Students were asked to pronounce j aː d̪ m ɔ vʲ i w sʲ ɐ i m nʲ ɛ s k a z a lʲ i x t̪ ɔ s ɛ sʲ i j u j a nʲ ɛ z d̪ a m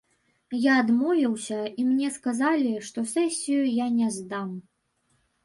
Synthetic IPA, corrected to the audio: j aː d̪ m ɔ vʲ i w sʲ ɐ i m nʲ ɛ s k a z a lʲ i ʂ t̪ ɔ s ɛ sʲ i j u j a nʲ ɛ z d̪ a m